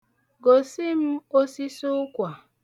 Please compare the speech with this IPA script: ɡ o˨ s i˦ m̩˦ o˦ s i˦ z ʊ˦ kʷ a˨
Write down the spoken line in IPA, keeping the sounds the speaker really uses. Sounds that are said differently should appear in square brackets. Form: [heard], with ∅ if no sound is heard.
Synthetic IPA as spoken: ɡ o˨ s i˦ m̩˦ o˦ s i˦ [s] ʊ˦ kʷ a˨